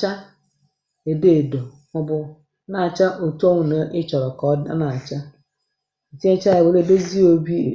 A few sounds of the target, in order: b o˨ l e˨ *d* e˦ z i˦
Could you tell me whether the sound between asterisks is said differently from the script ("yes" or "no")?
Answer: no